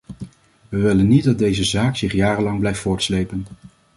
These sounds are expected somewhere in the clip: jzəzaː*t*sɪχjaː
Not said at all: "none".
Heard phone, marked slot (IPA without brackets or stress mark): k